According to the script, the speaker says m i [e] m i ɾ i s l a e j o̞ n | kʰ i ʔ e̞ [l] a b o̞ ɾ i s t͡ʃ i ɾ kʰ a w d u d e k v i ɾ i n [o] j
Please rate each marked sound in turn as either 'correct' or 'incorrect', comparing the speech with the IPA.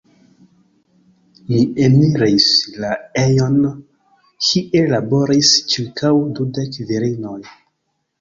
correct, correct, correct

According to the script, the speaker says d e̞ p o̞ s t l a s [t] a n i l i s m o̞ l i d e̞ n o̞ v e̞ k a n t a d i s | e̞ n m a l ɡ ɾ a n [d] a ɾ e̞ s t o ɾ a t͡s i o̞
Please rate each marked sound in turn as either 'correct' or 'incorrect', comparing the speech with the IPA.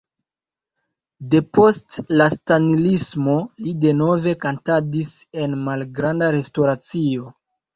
correct, correct

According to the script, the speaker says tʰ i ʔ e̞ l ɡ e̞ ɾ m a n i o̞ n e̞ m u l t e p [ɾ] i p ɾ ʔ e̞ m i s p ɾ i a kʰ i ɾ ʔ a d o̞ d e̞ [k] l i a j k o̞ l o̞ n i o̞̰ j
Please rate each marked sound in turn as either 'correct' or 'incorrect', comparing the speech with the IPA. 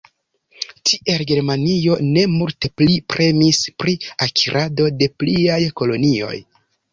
incorrect: l, incorrect: p

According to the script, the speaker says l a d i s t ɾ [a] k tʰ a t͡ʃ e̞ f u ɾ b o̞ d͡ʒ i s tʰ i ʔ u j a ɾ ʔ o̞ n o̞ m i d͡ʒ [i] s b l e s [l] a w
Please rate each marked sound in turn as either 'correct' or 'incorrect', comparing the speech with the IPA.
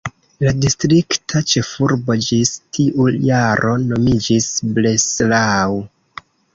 incorrect: i, correct, correct

